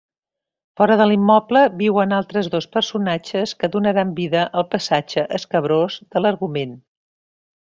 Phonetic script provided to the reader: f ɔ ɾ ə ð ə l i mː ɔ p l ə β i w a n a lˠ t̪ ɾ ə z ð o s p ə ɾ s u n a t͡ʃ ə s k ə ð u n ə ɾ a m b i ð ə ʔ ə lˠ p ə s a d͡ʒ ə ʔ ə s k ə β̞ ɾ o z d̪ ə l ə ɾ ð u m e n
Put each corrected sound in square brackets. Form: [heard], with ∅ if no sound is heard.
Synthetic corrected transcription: f ɔ ɾ ə ð ə l i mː ɔ p l ə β i w [ə] n a lˠ t̪ ɾ ə z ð o s p ə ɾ s u n a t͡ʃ ə s k ə ð u n ə ɾ a m b i ð ə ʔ ə lˠ p ə s a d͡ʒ ə ʔ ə s k ə β̞ ɾ o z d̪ ə l ə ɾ [ɣ] u m e n